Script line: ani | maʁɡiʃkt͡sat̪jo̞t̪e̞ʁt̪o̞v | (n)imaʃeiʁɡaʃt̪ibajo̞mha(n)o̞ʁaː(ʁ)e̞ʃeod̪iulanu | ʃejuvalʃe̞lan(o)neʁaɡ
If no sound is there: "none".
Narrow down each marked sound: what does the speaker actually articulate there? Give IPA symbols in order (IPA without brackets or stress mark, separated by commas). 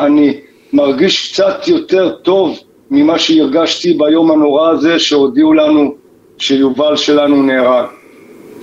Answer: m, n, z, u